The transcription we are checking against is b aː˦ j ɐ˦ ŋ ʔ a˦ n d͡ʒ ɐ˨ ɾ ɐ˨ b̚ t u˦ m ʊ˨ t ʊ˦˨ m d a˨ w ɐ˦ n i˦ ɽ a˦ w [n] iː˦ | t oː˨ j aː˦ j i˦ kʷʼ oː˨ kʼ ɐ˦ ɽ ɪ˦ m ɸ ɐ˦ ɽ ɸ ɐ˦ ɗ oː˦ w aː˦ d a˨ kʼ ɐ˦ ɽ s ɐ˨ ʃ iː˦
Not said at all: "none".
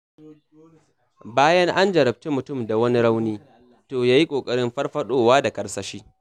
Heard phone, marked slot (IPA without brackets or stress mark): n